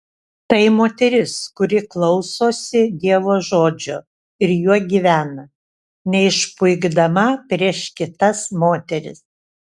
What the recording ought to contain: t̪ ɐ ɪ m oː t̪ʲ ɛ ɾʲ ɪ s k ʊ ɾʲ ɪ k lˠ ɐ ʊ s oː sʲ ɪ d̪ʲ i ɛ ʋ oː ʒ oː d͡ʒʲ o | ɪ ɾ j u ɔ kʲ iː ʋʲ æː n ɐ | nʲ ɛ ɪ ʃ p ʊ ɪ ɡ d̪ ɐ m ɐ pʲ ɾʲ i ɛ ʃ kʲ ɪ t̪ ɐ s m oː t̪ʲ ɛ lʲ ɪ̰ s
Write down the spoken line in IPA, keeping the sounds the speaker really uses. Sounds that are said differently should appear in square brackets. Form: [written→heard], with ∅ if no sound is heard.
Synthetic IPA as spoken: t̪ ɐ ɪ m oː t̪ʲ ɛ ɾʲ ɪ s k ʊ ɾʲ ɪ k lˠ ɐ ʊ s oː sʲ ɪ d̪ʲ i ɛ ʋ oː ʒ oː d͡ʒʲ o | ɪ ɾ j u ɔ [kʲ→ɡʲ] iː ʋʲ æː n ɐ | nʲ ɛ ɪ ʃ p ʊ ɪ ɡ d̪ ɐ m ɐ pʲ ɾʲ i ɛ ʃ kʲ ɪ t̪ ɐ s m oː t̪ʲ ɛ [lʲ→ɾʲ] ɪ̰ s

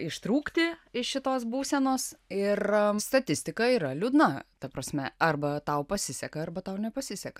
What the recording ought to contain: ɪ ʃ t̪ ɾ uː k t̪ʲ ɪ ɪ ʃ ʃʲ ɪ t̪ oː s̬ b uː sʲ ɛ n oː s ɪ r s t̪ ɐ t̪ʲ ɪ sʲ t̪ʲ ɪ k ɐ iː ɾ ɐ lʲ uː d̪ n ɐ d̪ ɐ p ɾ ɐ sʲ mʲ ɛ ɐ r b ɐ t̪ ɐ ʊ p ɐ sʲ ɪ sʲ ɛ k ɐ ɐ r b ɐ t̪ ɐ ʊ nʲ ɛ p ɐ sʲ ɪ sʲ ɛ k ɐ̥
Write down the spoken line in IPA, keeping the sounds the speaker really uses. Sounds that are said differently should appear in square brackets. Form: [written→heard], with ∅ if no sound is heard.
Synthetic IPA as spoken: ɪ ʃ t̪ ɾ uː k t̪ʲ ɪ ɪ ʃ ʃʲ ɪ t̪ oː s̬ b uː sʲ ɛ n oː s ɪ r s t̪ ɐ t̪ʲ ɪ sʲ t̪ʲ ɪ k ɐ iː ɾ ɐ lʲ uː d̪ n ɐ [d̪→t̪] ɐ p ɾ ɐ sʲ mʲ ɛ ɐ r b ɐ t̪ ɐ ʊ p ɐ sʲ ɪ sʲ ɛ k ɐ ɐ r b ɐ t̪ ɐ ʊ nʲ ɛ p ɐ sʲ ɪ sʲ ɛ k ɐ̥

